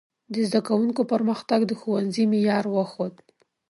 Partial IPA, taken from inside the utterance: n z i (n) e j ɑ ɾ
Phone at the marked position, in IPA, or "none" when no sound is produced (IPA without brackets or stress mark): m